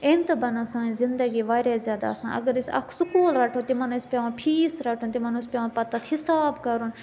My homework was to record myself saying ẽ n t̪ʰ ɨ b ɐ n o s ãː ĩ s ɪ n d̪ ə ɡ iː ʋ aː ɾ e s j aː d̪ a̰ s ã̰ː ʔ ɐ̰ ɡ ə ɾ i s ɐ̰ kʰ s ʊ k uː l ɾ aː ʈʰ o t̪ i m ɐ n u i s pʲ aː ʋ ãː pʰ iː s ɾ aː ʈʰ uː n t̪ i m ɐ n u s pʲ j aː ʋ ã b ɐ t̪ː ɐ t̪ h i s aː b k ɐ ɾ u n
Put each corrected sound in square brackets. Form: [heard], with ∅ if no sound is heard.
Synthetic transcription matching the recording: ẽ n [t̪] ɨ b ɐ n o s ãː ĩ [z] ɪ n d̪ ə ɡ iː ʋ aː ɾ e [z] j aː d̪ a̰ s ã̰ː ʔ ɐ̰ ɡ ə ɾ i s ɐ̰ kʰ s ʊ k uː l ɾ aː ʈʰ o t̪ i m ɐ n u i s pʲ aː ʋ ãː pʰ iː s ɾ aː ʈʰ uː n t̪ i m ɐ n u s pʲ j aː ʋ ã [p] ɐ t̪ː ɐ t̪ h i s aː b k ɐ ɾ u n

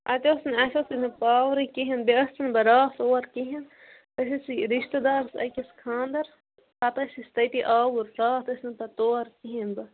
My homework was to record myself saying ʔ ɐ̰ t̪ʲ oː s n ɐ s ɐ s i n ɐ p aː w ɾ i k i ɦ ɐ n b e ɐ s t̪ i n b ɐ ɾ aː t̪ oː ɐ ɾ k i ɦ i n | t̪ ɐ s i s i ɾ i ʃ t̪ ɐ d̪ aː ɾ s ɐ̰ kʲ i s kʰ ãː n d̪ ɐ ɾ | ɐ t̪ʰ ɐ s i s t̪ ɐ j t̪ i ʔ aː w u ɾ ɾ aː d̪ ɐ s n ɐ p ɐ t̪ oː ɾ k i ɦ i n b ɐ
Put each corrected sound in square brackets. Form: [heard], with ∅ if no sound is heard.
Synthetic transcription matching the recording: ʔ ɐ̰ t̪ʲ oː s n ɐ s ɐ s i n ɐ p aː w ɾ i k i ɦ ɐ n b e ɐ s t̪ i n b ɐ ɾ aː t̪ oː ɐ ɾ k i ɦ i n | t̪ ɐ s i s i ɾ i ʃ t̪ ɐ d̪ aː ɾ s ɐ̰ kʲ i s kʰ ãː n d̪ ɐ ɾ | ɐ [t̪] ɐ s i s t̪ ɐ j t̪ i ʔ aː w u ɾ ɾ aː [t̪] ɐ s n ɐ p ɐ t̪ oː ɾ k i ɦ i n b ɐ

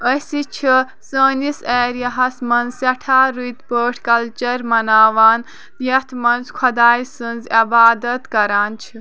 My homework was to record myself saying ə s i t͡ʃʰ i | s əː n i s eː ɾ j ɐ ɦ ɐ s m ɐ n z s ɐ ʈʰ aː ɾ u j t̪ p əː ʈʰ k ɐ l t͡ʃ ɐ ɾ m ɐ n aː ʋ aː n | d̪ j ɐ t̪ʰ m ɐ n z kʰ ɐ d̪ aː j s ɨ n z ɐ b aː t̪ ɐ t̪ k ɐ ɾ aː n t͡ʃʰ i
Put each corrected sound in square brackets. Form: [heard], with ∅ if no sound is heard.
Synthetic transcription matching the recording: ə s i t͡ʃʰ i | s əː n i s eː ɾ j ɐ ɦ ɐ s m ɐ n z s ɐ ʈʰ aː ɾ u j t̪ p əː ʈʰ k ɐ l t͡ʃ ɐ ɾ m ɐ n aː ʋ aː n | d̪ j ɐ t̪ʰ m ɐ n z kʰ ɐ d̪ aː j s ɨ n z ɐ b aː [d̪] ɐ t̪ k ɐ ɾ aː n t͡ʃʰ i

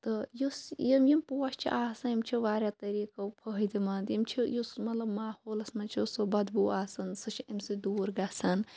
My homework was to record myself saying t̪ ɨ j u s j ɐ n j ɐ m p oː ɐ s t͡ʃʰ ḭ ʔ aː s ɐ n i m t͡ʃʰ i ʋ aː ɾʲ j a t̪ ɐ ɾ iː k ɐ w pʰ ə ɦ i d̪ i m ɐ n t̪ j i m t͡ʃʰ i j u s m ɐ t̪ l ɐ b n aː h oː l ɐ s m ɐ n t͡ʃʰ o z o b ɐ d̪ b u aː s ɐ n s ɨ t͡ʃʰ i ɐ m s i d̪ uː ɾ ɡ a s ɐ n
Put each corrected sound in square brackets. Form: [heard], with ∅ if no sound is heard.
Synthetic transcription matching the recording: t̪ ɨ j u s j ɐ [m] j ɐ m p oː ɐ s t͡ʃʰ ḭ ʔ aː s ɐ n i m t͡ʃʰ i ʋ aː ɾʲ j a t̪ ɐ ɾ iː k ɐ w pʰ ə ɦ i d̪ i m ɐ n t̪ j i m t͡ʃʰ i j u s m ɐ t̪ l ɐ b [m] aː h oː l ɐ s m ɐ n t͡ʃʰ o [s] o b ɐ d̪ b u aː s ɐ n s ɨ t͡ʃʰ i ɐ m s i d̪ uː ɾ ɡ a s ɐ n

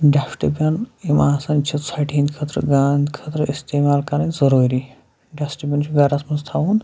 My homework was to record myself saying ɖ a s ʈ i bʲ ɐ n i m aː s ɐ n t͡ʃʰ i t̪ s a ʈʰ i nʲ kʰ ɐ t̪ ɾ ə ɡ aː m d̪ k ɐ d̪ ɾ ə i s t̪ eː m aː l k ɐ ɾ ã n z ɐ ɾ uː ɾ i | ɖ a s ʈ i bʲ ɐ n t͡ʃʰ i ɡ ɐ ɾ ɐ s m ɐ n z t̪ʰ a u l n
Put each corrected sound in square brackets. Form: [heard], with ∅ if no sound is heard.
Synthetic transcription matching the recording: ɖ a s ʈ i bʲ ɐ n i m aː s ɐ n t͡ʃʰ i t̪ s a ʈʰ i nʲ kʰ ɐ t̪ ɾ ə ɡ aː [n] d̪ [kʰ] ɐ [t̪] ɾ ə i s t̪ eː m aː l k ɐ ɾ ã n z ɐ ɾ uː ɾ i | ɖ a s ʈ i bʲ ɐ n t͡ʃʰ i ɡ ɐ ɾ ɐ s m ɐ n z t̪ʰ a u [∅] n

